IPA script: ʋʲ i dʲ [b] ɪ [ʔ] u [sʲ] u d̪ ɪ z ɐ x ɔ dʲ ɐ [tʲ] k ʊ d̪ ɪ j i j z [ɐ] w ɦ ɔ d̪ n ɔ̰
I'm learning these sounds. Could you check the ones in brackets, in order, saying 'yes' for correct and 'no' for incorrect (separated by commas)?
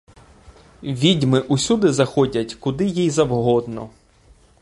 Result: no, yes, yes, yes, yes